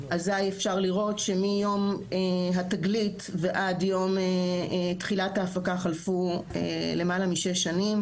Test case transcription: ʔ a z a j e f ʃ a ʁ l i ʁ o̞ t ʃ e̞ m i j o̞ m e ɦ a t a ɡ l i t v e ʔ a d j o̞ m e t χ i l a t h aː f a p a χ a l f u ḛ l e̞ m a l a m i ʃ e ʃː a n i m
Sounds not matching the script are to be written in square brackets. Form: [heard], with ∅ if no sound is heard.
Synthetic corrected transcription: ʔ a z a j e f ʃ a ʁ l i ʁ o̞ t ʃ e̞ m i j o̞ m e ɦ a t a ɡ l i t v e ʔ a d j o̞ m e t χ i l a t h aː f a [k] a χ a l f u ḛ l e̞ m a l a m i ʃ e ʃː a n i m